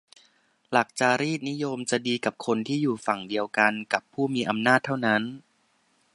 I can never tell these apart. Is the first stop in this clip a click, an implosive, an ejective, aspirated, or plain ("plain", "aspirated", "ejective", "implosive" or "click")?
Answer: plain